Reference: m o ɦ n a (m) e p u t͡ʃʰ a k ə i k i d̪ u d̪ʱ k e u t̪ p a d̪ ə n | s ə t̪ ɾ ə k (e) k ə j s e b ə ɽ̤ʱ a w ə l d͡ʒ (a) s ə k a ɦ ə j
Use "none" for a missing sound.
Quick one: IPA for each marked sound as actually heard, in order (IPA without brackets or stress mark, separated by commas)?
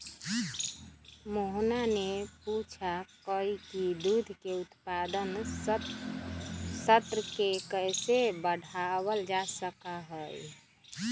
n, e, a